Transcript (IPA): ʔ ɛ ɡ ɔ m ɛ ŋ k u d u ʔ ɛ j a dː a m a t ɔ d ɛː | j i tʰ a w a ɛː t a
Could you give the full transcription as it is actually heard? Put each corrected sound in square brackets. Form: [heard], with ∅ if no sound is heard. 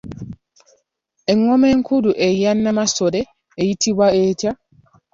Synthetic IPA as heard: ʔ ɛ [ŋ] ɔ m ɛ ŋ k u d u ʔ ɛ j a [nː] a m a [s] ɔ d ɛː | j i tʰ [i] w a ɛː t a